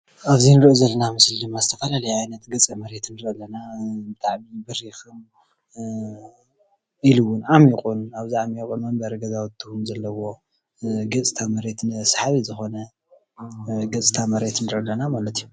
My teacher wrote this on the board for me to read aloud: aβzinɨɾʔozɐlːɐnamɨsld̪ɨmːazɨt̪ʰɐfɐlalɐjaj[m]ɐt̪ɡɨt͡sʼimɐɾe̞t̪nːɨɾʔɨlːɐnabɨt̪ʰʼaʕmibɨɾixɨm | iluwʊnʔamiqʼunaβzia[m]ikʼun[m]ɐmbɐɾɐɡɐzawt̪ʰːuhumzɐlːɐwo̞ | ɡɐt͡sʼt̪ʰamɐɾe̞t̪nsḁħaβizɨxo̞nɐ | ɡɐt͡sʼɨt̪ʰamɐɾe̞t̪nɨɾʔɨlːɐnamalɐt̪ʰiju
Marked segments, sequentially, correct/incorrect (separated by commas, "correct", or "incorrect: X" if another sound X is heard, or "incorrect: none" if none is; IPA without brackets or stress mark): incorrect: n, correct, correct